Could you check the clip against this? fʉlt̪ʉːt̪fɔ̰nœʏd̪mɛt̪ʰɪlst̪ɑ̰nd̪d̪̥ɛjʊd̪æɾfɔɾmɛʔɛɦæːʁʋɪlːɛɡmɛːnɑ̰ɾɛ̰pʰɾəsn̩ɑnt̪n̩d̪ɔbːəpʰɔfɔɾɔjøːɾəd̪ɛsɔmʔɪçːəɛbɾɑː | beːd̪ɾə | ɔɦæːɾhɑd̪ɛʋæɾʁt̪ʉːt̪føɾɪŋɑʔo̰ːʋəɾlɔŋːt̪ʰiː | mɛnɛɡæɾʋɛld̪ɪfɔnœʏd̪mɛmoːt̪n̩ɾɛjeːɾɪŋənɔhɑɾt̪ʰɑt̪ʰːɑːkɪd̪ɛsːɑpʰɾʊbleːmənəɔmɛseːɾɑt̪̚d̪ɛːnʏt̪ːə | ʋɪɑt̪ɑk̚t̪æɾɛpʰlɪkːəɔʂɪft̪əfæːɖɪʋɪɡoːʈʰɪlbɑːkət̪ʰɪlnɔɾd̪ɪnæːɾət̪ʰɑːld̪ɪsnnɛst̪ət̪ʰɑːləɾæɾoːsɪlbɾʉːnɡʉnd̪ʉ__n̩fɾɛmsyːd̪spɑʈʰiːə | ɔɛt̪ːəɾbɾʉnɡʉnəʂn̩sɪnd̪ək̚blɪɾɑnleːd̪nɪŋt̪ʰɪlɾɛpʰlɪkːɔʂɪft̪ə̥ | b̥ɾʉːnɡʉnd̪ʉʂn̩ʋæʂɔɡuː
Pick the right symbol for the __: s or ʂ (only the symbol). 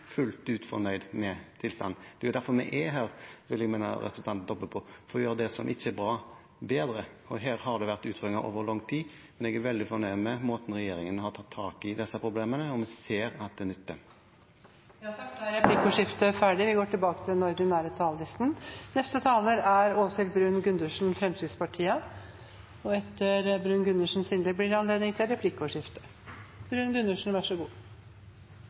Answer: ʂ